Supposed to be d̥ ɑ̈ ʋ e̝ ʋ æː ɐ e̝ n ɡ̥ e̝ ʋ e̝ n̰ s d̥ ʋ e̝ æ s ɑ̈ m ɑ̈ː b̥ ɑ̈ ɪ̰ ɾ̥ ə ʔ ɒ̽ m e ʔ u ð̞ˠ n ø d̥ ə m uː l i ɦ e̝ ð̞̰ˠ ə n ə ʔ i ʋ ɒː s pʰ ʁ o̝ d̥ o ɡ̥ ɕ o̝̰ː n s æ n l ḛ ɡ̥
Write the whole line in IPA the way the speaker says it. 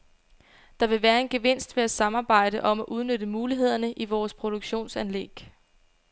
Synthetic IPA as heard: d̥ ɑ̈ ʋ e̝ ʋ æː ɐ e̝ n ɡ̥ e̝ ʋ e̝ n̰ s d̥ ʋ e̝ æ s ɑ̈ m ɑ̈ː b̥ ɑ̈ ɪ̰ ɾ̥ ə ʔ ɒ̽ m æ ʔ u ð̞ˠ n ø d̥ ə m uː l i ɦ e̝ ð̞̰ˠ ɐ n ə ʔ i ʋ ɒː s pʰ ʁ o̝ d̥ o ɡ̥ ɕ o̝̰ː n s æ n l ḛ ɡ̥